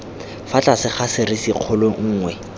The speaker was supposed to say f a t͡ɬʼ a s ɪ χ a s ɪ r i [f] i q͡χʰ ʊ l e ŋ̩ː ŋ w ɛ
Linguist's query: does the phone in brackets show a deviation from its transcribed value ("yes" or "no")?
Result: yes